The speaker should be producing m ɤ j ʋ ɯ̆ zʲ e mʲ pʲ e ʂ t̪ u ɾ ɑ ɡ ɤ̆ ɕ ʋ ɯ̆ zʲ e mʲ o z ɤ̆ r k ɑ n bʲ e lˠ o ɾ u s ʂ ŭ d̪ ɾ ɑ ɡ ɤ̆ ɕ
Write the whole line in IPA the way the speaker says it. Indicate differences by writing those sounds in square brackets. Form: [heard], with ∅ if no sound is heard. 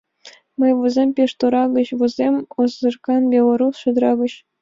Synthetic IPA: m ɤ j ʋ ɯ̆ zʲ e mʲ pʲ e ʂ t̪ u ɾ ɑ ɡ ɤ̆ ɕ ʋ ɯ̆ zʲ e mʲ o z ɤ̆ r k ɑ n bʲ e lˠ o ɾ u s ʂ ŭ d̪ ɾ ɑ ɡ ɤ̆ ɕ